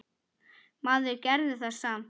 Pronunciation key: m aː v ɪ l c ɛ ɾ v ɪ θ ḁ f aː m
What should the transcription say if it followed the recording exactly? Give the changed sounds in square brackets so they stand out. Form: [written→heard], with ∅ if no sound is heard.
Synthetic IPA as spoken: m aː [v→ð] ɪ [l→ɾ] c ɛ ɾ [v→ð] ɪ θ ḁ [f→s] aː m